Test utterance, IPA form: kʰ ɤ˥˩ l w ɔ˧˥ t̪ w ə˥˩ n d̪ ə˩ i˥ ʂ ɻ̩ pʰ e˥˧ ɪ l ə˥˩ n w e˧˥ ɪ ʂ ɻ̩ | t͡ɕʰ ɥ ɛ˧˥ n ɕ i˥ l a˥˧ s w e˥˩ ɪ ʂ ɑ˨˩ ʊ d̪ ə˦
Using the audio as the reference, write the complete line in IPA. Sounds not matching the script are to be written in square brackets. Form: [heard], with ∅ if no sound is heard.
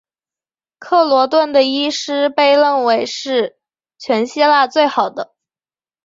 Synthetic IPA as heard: kʰ ɤ˥˩ l w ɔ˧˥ t̪ w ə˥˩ n d̪ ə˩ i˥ ʂ ɻ̩ [p] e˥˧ ɪ l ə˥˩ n w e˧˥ ɪ ʂ ɻ̩ | t͡ɕʰ ɥ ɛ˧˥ n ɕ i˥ l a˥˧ [t͡s] w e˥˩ ɪ [x] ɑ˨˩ ʊ d̪ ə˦